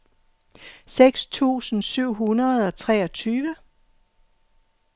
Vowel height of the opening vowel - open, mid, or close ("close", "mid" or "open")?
mid